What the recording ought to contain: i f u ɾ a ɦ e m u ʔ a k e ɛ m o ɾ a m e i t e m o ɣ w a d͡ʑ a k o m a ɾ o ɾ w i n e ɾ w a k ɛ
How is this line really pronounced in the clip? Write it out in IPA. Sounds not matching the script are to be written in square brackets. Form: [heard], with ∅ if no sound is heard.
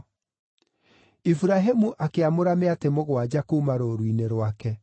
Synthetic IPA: i f u ɾ a ɦ e m u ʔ a k e [a] m o ɾ a m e [a] t e m o ɣ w a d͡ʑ a k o m a ɾ o ɾ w i n e ɾ w a k ɛ